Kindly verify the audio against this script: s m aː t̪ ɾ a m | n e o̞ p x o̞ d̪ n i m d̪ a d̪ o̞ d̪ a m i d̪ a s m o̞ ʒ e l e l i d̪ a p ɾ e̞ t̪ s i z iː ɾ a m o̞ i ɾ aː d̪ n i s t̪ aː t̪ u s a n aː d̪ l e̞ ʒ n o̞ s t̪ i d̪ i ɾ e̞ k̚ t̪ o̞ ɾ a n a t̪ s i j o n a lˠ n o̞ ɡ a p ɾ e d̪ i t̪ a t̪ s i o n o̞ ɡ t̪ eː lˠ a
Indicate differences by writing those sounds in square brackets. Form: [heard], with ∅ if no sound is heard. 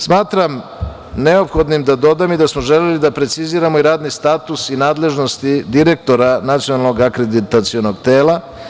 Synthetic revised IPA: s m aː t̪ ɾ a m | n e o̞ p x o̞ d̪ n i m d̪ a d̪ o̞ d̪ a m i d̪ a s m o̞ ʒ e l e l i d̪ a p ɾ e̞ t̪ s i z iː ɾ a m o̞ i ɾ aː d̪ n i s t̪ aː t̪ u s [i] n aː d̪ l e̞ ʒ n o̞ s t̪ i d̪ i ɾ e̞ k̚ t̪ o̞ ɾ a n a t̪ s i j o n a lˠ n o̞ ɡ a [k] ɾ e d̪ i t̪ a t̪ s i o n o̞ ɡ t̪ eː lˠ a